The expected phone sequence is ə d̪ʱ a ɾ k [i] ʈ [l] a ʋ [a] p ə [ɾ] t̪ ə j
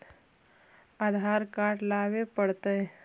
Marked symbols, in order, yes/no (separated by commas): no, yes, no, no